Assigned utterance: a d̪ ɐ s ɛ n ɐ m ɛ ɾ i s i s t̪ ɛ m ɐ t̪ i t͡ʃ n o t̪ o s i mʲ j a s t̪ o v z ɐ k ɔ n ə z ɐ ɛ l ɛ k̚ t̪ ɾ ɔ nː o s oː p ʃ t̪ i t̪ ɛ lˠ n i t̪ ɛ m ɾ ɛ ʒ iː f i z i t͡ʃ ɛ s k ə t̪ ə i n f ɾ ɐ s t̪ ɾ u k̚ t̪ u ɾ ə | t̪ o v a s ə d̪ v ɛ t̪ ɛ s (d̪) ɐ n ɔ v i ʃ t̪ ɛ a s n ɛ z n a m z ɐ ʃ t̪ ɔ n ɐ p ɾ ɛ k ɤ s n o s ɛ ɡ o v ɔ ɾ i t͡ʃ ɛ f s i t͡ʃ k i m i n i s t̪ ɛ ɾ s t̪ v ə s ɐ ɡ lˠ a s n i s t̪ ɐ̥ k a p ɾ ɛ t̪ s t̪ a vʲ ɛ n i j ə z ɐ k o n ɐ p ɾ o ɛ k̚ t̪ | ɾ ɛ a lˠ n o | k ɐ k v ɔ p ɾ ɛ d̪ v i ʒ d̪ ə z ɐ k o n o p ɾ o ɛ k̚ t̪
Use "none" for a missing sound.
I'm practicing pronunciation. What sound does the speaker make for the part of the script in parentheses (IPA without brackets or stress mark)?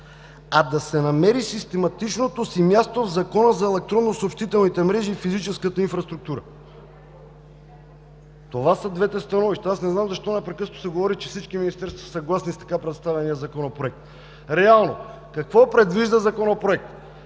t̪